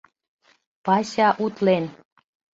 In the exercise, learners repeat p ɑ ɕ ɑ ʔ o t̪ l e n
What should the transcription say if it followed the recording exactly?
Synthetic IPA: p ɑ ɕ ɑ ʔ u t̪ l e n